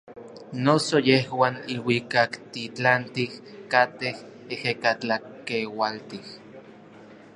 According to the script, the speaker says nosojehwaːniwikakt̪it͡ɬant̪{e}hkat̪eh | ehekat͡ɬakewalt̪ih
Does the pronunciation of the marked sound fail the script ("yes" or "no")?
yes